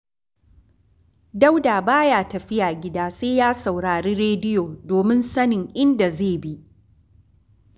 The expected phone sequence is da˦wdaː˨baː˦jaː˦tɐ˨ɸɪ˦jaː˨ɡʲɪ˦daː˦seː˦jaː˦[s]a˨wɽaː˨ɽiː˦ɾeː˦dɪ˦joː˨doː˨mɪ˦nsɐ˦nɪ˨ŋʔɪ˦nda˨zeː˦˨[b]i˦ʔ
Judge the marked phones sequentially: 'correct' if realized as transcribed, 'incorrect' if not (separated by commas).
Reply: correct, correct